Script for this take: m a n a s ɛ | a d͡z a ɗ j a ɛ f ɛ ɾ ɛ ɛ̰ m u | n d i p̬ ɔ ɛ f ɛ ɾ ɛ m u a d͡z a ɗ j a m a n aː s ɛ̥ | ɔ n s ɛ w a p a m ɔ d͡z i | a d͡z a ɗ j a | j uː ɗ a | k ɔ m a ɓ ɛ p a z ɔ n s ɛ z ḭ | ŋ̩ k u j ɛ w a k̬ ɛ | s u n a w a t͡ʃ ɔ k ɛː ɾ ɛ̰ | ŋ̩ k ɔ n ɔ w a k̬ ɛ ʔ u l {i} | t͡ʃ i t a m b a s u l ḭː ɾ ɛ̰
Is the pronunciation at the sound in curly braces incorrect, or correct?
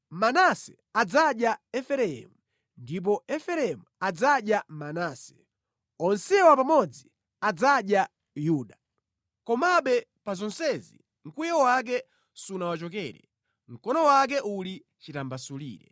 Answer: correct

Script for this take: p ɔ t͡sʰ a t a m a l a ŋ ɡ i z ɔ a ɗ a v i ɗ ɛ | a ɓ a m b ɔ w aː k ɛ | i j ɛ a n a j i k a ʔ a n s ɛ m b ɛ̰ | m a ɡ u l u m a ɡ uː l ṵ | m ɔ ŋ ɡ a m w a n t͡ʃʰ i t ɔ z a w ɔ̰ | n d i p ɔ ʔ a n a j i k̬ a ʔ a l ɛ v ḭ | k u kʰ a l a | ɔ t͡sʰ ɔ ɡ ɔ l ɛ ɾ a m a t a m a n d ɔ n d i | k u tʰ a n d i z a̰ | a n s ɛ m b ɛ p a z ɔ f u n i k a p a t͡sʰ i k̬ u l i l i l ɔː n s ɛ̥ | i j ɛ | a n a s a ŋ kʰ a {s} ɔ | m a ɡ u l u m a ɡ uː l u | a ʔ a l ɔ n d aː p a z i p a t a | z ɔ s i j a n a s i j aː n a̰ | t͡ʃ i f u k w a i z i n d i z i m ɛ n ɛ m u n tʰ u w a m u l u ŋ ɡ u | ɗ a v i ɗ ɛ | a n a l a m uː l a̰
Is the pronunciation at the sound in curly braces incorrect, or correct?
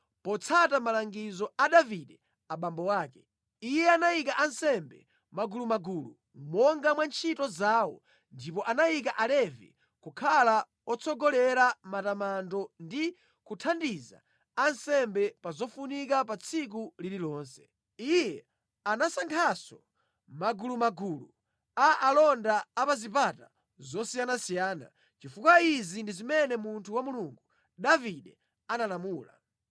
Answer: correct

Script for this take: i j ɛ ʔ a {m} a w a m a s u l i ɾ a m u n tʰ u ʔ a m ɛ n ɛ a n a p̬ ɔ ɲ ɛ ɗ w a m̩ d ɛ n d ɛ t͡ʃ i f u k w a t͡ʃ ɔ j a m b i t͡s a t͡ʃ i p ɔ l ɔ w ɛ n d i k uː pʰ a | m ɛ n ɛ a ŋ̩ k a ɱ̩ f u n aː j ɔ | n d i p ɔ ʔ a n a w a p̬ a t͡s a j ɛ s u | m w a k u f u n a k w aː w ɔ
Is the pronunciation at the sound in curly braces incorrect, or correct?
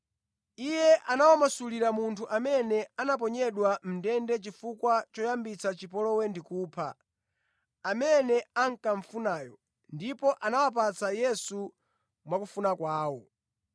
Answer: incorrect: n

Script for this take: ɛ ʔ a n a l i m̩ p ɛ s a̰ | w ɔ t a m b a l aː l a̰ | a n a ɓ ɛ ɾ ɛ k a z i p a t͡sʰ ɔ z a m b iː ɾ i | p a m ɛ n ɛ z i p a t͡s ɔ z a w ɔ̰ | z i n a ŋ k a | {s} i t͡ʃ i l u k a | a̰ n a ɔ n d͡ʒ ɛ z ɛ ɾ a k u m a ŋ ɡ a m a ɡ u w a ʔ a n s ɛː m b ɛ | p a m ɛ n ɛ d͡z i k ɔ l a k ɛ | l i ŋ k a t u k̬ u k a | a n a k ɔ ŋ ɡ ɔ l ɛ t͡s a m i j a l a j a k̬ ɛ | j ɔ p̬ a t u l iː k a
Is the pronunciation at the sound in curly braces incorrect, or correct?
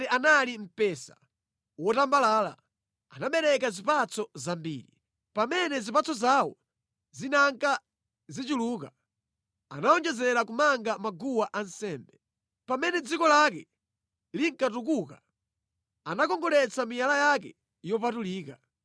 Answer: incorrect: z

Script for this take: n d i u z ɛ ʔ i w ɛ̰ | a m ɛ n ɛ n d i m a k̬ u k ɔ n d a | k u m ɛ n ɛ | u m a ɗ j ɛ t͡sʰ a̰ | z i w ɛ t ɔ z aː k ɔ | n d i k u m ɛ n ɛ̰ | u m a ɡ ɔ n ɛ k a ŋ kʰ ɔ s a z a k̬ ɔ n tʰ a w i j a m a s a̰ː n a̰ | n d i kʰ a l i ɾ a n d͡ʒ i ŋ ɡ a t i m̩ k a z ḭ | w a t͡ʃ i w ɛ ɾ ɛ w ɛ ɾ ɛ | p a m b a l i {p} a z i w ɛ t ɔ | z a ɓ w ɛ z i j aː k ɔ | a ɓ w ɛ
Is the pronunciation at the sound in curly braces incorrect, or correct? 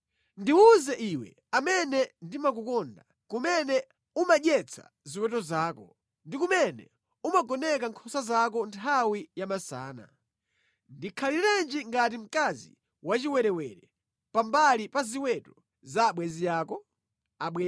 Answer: correct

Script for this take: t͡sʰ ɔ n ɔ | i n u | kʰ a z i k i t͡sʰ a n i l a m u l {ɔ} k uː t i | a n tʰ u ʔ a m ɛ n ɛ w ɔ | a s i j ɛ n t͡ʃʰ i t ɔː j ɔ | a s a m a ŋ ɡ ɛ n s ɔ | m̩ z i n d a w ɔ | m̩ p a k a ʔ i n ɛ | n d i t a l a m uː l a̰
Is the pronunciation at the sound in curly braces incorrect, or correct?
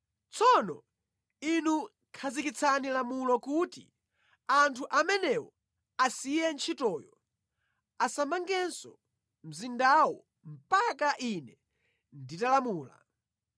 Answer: correct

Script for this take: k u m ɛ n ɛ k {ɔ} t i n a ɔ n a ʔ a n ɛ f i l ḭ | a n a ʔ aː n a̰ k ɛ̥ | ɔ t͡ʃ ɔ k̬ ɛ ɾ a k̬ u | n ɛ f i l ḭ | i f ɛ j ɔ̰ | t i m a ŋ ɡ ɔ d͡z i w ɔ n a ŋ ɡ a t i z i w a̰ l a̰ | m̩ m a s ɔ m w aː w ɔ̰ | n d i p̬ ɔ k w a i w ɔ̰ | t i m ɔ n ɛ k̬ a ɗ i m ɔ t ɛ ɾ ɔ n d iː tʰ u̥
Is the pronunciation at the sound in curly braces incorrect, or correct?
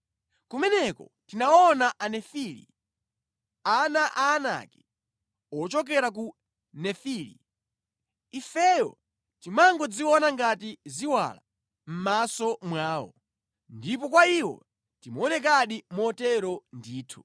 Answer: correct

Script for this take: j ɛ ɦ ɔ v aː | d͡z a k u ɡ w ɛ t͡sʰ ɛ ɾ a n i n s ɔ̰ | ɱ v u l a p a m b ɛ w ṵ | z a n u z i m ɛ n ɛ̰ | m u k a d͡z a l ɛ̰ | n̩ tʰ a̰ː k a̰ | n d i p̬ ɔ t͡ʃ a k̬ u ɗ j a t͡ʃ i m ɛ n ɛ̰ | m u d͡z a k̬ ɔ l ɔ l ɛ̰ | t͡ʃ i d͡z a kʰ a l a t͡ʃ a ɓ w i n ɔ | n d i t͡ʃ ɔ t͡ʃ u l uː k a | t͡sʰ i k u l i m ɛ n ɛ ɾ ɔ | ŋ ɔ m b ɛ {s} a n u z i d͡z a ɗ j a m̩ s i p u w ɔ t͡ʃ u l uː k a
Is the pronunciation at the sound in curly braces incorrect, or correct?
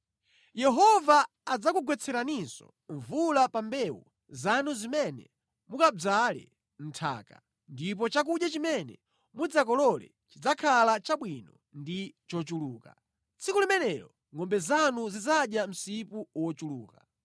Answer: incorrect: z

